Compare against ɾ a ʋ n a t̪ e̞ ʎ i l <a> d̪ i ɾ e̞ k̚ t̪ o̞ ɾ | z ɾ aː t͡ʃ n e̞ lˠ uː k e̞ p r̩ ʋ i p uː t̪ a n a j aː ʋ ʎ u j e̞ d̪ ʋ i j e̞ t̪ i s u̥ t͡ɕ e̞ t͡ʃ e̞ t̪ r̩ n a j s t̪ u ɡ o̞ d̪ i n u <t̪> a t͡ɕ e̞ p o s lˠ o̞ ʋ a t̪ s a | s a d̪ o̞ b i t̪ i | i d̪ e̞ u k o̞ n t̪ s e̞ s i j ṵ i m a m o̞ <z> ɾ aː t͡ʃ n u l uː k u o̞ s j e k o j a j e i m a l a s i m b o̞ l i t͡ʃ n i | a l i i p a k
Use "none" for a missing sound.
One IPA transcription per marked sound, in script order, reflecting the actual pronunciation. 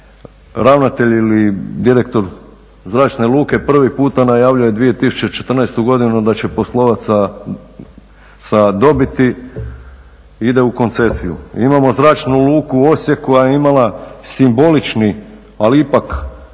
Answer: i, d̪, z

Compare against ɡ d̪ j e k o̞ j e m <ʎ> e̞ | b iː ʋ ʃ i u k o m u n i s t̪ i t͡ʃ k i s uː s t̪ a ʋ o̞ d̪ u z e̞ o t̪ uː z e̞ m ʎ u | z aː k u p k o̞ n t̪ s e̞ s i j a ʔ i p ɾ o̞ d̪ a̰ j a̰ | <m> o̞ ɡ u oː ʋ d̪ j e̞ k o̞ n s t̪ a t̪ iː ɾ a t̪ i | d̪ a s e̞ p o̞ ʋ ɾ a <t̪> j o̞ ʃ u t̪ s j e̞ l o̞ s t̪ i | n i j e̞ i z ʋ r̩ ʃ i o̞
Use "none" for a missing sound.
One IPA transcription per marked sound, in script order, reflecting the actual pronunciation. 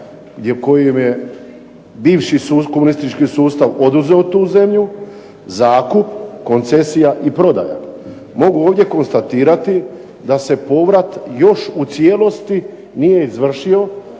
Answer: j, m, t̪

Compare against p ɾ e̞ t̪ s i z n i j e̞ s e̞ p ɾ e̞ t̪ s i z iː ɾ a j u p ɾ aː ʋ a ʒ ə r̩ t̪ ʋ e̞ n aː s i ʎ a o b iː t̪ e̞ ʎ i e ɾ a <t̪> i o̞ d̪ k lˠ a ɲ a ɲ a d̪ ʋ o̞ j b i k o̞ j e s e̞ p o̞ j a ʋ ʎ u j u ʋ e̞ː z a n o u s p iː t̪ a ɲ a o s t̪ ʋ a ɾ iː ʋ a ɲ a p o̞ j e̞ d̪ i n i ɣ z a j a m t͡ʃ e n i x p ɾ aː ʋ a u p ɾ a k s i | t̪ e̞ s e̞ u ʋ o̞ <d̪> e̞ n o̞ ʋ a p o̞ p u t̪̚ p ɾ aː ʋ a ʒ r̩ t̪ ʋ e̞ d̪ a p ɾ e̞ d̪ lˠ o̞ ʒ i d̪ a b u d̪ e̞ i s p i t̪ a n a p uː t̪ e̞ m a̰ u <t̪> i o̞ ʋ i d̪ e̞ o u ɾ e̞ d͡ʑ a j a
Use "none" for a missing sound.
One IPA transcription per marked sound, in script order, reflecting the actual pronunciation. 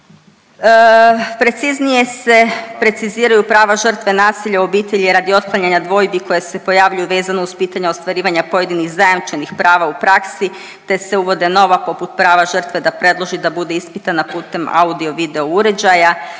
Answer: d̪, d̪, d̪

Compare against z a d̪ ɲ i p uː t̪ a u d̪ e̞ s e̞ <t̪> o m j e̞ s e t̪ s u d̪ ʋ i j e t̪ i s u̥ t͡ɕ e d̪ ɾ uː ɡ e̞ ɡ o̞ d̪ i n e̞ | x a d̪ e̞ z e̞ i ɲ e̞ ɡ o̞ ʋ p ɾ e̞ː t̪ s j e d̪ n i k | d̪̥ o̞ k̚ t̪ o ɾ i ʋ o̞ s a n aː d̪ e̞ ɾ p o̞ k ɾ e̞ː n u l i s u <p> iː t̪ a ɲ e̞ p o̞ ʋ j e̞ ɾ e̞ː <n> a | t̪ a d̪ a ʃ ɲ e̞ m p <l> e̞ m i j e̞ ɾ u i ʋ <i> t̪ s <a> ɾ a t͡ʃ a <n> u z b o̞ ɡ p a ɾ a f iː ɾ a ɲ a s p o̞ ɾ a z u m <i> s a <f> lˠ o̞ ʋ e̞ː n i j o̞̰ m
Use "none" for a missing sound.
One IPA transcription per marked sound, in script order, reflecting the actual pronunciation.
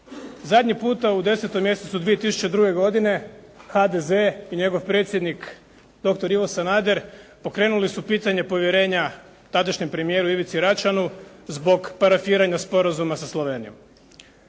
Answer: t̪, p, ɲ, ɾ, i, i, n, a, s

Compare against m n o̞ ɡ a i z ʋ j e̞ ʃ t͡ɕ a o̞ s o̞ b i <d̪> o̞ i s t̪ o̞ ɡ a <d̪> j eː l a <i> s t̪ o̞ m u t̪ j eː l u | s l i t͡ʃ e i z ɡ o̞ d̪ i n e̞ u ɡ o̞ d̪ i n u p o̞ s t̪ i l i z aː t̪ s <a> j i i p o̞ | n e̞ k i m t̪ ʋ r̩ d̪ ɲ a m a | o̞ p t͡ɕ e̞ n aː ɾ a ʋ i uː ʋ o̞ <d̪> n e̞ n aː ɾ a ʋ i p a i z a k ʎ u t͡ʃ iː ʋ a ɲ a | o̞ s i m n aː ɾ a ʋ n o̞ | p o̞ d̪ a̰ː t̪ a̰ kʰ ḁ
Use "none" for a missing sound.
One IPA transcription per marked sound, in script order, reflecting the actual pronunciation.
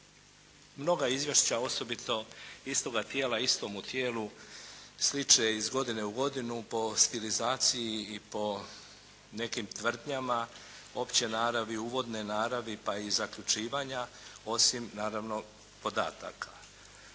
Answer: t̪, t̪, i, i, d̪

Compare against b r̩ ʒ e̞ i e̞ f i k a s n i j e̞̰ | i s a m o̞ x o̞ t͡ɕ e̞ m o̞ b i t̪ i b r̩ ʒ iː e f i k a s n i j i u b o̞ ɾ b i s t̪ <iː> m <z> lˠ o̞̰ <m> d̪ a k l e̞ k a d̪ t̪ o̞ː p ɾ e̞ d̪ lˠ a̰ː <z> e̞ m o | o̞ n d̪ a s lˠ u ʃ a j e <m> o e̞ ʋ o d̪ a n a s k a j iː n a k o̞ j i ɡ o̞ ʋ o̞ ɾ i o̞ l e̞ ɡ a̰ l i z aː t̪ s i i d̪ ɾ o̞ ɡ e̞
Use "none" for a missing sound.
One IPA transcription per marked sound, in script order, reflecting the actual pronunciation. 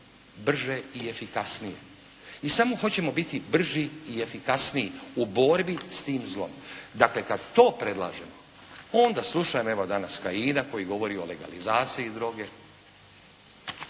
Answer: iː, z, m, ʒ, m

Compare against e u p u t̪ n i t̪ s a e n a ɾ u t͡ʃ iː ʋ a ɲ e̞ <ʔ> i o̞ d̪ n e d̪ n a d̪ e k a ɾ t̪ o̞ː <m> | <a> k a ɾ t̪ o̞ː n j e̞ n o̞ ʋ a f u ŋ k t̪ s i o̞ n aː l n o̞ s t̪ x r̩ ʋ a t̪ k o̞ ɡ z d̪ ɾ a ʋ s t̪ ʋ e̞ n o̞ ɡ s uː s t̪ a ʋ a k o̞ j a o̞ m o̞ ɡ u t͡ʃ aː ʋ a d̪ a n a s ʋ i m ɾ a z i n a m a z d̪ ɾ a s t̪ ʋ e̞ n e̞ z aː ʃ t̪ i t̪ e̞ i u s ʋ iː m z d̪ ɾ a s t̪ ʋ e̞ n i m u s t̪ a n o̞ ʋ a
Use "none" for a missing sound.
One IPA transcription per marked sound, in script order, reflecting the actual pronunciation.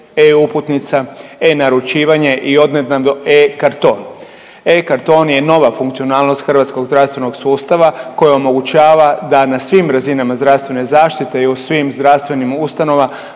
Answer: ʔ, n, e

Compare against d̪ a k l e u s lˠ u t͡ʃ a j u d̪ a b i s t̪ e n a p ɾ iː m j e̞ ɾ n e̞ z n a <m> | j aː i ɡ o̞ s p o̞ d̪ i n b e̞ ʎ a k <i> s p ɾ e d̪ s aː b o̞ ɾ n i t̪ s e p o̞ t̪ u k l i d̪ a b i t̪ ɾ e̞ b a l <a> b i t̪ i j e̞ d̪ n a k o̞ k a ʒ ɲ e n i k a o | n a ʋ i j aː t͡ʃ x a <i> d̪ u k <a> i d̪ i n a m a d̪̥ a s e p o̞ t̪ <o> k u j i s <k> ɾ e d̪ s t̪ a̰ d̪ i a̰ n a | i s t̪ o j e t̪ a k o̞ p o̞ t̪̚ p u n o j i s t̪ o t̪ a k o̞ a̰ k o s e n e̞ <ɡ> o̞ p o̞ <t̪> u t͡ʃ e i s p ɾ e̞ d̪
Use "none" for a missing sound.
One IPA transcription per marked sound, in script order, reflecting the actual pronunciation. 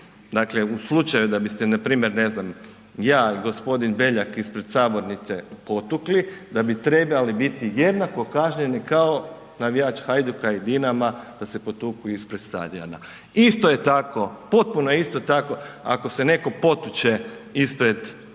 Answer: m, i, i, j, a, u, p, k, t̪

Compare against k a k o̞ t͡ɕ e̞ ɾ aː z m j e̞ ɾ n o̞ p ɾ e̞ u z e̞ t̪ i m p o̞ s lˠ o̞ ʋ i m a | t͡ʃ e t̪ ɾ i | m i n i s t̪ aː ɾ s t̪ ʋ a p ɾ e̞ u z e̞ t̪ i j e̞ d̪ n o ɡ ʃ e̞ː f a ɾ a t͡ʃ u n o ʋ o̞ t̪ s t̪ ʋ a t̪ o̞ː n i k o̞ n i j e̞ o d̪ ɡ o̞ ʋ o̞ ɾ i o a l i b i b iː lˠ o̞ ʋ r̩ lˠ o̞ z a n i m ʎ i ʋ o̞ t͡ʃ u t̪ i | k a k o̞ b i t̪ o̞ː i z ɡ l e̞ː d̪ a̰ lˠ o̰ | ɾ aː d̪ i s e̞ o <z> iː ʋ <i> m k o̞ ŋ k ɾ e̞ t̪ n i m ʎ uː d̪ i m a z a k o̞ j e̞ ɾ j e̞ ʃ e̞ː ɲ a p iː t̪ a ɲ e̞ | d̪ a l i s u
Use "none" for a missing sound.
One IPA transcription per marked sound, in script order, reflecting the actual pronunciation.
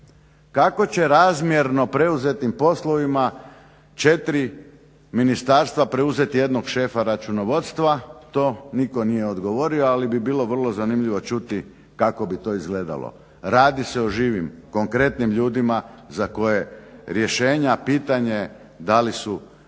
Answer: ʒ, i

